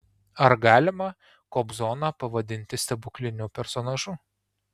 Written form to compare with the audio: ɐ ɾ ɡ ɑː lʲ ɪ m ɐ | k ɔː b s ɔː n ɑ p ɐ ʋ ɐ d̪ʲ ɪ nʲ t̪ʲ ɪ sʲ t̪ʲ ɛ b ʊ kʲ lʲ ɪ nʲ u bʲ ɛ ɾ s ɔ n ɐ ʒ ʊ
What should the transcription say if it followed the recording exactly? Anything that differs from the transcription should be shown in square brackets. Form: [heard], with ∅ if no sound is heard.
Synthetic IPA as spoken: ɐ ɾ ɡ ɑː lʲ ɪ m ɐ | k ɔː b [z] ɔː n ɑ p ɐ ʋ ɐ d̪ʲ ɪ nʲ t̪ʲ ɪ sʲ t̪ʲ ɛ b ʊ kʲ lʲ ɪ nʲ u [pʲ] ɛ ɾ s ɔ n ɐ ʒ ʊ